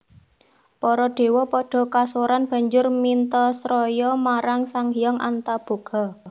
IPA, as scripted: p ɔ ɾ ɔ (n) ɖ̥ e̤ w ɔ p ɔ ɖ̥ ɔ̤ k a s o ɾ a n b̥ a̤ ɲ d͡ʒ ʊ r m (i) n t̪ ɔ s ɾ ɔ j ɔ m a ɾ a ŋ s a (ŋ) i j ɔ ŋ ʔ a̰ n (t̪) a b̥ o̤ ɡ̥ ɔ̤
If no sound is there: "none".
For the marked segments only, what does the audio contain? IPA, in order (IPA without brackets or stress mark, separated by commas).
none, i, ŋ, t̪